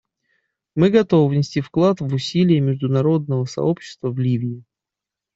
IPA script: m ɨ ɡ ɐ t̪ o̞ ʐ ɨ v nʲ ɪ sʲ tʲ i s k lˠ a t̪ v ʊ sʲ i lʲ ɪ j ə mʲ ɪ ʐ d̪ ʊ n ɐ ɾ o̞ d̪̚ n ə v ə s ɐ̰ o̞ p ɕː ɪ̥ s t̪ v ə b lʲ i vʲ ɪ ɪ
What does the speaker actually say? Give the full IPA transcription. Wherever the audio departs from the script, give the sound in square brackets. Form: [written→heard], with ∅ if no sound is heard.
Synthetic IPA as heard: m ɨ ɡ ɐ t̪ o̞ [ʐ→v] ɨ v nʲ ɪ sʲ tʲ i [s→f] k lˠ a t̪ v ʊ sʲ i lʲ ɪ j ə mʲ ɪ ʐ d̪ ʊ n ɐ ɾ o̞ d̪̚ n ə v ə s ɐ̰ o̞ p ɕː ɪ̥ s t̪ v ə [b→v] lʲ i vʲ ɪ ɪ